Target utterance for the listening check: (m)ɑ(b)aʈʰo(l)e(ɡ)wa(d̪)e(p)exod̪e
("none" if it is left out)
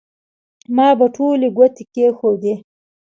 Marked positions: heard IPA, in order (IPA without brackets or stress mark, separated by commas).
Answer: m, b, l, ɡ, t̪, k